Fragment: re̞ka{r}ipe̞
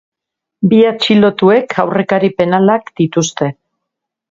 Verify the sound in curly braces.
incorrect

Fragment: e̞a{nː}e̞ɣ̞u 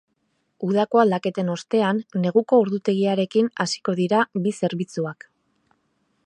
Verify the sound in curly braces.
correct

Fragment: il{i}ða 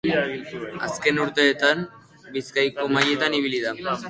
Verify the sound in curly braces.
correct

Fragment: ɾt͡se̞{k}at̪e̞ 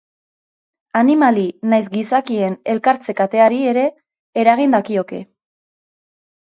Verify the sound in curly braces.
correct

